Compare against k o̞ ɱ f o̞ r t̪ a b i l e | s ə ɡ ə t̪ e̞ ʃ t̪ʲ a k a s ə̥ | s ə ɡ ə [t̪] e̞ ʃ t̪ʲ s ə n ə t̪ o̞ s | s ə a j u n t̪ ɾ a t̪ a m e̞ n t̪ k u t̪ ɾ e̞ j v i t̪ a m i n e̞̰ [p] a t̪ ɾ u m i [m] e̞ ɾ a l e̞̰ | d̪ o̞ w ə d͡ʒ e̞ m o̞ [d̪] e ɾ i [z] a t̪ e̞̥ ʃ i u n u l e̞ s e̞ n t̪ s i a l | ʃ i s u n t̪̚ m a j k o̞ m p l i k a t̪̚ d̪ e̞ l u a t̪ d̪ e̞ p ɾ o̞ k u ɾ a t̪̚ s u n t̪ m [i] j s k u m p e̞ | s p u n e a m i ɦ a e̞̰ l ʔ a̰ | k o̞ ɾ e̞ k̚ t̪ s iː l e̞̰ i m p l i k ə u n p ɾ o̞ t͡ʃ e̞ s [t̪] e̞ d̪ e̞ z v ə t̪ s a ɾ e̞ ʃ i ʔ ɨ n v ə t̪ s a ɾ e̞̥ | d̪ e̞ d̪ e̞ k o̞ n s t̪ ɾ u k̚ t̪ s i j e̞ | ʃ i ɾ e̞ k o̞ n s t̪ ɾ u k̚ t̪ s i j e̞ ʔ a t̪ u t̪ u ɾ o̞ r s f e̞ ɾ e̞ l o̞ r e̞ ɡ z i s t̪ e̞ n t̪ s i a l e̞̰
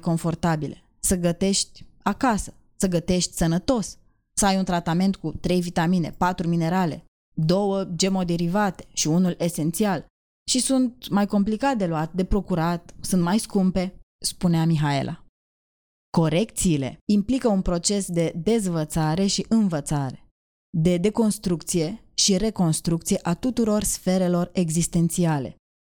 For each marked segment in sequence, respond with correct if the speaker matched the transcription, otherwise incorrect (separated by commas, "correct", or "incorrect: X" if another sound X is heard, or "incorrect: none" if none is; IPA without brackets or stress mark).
correct, correct, incorrect: n, correct, incorrect: v, incorrect: a, incorrect: d̪